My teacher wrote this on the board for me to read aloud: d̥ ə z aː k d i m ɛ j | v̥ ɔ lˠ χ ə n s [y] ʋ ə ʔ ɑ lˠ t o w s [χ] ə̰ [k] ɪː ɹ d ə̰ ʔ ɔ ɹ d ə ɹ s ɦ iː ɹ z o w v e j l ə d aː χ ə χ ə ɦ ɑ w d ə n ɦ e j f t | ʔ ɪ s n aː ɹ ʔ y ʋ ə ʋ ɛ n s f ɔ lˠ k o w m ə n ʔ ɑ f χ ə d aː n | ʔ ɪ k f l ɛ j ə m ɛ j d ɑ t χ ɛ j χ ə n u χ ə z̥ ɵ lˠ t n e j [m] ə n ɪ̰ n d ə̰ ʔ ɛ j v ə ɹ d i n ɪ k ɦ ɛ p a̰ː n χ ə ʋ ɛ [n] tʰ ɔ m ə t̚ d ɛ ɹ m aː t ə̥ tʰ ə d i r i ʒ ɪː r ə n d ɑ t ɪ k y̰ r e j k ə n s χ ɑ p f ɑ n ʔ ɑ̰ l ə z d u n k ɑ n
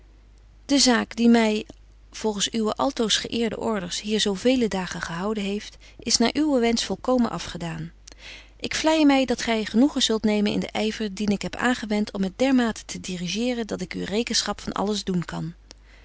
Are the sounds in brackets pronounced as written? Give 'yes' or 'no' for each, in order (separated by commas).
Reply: yes, yes, no, yes, yes